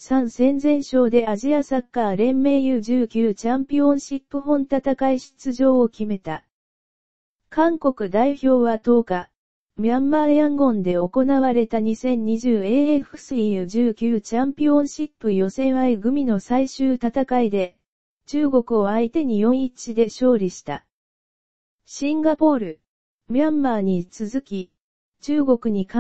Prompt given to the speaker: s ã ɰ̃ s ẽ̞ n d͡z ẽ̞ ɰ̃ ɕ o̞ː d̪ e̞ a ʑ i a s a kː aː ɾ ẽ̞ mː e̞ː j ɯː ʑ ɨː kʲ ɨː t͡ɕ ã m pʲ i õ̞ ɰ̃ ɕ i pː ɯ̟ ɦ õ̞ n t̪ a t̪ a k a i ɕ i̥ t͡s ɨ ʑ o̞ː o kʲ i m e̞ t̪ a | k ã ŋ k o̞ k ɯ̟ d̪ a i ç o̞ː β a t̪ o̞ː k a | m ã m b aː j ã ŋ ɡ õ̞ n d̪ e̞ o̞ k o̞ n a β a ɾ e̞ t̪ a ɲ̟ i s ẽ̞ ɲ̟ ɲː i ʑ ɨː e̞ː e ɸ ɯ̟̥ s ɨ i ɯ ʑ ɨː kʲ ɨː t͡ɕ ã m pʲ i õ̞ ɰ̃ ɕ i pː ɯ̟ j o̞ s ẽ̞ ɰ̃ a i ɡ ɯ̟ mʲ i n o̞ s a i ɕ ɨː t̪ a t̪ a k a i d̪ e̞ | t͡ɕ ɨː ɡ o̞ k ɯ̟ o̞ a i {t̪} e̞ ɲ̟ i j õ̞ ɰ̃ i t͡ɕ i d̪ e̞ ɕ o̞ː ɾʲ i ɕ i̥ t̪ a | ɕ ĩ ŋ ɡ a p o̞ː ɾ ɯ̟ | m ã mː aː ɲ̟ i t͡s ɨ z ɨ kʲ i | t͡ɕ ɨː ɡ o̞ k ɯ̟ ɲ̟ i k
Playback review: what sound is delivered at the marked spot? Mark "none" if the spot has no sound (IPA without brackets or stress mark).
t̪